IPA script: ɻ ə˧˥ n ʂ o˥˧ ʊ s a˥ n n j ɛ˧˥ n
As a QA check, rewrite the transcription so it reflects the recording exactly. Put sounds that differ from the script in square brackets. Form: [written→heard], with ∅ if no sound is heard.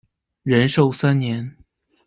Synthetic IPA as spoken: ɻ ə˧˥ n ʂ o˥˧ ʊ s a˥ n n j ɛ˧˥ n